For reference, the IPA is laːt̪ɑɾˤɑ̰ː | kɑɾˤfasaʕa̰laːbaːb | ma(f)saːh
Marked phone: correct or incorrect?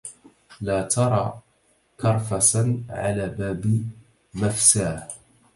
correct